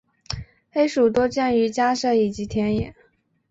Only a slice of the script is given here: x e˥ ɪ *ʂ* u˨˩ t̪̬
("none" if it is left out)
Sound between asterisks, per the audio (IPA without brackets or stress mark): ʂ